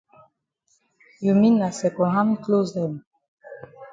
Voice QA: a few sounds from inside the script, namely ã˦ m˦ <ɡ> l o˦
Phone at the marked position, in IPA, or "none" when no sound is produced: k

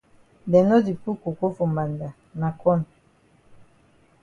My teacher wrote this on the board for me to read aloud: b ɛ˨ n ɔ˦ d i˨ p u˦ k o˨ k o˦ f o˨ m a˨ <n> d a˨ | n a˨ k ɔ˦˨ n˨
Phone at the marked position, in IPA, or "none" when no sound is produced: n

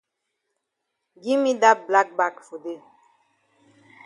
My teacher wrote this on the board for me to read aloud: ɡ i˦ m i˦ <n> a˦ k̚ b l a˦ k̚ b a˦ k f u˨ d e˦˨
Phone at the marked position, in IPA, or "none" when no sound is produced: d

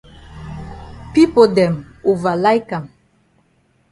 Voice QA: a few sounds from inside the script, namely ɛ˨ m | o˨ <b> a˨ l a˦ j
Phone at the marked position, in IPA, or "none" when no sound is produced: v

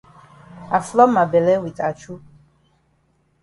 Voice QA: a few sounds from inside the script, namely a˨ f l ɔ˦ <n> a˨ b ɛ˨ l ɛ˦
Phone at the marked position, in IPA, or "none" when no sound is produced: m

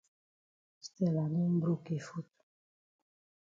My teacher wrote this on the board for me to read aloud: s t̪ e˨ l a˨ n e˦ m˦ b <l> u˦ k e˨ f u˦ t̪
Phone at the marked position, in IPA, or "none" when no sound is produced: ɾ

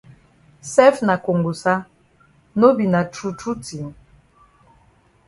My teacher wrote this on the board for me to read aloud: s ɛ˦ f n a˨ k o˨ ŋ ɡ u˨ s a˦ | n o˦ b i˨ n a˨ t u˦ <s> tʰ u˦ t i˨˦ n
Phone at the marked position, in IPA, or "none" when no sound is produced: none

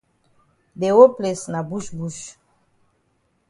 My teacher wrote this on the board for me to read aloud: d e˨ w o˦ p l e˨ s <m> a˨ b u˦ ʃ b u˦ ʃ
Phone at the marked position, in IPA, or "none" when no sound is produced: n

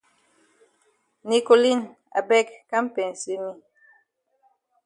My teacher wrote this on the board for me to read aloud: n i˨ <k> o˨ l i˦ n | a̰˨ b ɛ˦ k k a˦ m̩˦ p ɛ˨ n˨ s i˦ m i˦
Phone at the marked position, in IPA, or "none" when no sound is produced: k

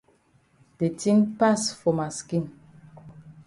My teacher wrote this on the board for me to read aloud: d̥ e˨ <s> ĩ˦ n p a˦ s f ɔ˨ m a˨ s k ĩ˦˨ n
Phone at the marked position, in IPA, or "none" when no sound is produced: t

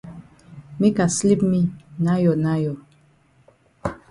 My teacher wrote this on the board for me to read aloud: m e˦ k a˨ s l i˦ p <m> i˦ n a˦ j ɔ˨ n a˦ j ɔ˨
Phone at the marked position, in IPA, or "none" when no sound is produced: m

